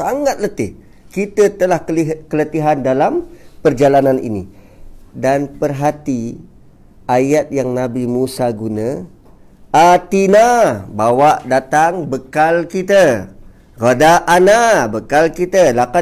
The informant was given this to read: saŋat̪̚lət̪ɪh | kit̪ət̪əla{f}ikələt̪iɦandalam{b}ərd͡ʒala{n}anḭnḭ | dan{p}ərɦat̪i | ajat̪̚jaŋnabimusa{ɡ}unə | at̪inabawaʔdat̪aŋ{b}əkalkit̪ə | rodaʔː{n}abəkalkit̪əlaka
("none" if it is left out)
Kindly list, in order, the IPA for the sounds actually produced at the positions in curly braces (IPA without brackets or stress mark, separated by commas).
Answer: h, p, n, p, ɡ, b, n